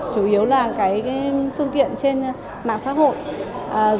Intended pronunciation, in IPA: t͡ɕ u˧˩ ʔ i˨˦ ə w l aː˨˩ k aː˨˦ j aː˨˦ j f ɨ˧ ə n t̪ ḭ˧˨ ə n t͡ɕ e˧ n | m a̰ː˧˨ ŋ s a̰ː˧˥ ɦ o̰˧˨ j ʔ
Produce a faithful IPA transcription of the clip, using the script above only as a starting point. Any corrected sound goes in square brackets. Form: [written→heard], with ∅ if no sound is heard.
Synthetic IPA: t͡ɕ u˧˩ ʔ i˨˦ ə w l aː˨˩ k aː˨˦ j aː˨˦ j f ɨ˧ ə [n→ŋ] t̪ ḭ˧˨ ə n t͡ɕ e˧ n | m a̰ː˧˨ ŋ s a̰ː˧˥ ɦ o̰˧˨ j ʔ

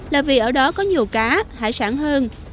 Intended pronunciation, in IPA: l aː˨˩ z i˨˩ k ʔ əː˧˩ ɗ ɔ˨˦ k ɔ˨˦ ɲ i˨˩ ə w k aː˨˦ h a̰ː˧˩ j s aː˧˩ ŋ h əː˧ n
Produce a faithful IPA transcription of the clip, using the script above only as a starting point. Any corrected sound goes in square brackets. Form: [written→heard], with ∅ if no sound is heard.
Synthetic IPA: l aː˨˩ [z→v] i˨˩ [k→∅] ʔ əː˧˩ ɗ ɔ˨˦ k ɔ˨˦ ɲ i˨˩ ə w k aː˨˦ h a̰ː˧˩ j s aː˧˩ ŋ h əː˧ n

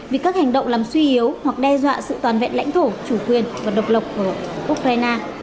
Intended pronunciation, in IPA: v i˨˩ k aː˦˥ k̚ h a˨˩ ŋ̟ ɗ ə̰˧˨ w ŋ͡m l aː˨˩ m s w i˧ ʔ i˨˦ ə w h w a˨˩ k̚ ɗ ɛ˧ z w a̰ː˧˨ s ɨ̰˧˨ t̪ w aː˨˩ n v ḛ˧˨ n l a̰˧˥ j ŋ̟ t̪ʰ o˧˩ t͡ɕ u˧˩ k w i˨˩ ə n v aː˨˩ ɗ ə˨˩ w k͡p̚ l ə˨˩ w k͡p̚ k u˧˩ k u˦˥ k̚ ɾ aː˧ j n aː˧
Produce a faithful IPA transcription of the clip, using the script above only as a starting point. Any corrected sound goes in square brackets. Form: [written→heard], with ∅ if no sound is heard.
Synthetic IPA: v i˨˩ k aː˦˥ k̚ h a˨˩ ŋ̟ ɗ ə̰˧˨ w ŋ͡m l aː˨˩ m s w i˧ ʔ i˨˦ ə w h w a˨˩ k̚ ɗ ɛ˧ z w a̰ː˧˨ s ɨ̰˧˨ t̪ w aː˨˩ n v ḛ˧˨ n l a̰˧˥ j ŋ̟ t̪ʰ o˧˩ t͡ɕ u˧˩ k w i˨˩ ə n v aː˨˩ ɗ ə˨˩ w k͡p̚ l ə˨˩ w k͡p̚ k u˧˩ [k→ʔ] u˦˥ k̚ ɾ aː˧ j n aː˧

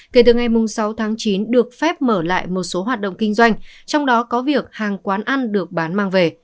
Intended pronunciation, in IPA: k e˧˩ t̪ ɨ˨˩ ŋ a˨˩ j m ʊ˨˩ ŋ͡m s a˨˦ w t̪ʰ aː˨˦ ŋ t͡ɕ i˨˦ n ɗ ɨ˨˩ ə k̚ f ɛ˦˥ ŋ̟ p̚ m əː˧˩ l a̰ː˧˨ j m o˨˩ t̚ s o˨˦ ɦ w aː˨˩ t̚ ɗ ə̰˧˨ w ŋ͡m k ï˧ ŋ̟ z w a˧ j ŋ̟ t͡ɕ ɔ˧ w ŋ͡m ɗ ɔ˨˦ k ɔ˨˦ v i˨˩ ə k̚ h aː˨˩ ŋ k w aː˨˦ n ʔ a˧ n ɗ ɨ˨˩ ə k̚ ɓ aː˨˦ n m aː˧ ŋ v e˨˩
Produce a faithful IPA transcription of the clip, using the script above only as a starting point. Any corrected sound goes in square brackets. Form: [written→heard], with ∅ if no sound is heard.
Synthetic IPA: k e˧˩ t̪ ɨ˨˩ ŋ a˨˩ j m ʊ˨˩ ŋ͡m s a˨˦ w t̪ʰ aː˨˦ ŋ t͡ɕ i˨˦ n ɗ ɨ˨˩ ə k̚ f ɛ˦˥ [ŋ̟→∅] p̚ m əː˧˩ l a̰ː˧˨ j m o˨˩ t̚ s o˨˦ ɦ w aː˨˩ t̚ ɗ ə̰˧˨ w ŋ͡m k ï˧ ŋ̟ z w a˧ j ŋ̟ t͡ɕ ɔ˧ w ŋ͡m ɗ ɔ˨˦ k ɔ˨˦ v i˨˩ ə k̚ h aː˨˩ ŋ k w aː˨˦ n ʔ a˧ n ɗ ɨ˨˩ ə k̚ ɓ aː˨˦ n m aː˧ ŋ v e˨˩

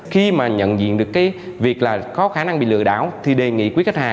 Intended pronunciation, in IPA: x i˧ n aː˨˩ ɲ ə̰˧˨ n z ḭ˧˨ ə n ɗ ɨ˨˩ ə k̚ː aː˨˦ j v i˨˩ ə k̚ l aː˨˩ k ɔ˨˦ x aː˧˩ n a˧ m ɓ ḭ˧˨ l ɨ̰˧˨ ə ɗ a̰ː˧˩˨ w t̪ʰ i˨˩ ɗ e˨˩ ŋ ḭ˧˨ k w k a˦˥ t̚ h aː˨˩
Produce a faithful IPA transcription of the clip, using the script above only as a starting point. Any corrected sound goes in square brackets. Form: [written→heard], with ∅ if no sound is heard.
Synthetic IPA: x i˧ [n→m] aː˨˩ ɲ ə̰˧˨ n z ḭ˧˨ ə n ɗ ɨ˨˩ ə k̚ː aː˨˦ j v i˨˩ ə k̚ l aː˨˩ k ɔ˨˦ x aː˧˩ n a˧ [m→ŋ] ɓ ḭ˧˨ l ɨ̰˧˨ ə ɗ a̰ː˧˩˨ w t̪ʰ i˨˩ ɗ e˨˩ ŋ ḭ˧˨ k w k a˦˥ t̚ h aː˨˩

